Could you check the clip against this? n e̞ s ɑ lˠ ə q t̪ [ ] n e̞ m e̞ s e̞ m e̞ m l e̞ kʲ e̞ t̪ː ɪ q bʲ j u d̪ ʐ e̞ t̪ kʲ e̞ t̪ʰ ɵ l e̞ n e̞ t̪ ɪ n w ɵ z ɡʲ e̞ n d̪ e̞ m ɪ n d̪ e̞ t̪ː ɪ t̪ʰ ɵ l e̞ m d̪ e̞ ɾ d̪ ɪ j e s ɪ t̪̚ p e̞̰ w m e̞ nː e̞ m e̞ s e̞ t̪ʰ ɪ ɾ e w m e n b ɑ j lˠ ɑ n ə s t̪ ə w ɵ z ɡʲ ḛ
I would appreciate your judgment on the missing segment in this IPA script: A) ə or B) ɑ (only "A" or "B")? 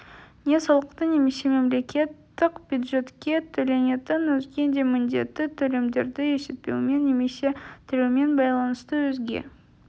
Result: A